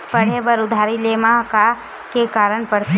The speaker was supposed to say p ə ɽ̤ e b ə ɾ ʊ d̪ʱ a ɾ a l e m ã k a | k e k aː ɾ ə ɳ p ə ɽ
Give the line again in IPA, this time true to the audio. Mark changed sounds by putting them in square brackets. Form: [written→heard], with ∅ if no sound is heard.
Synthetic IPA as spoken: p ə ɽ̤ e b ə ɾ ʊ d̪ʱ a ɾ [a→i] l e m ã k a | k e k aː ɾ ə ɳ p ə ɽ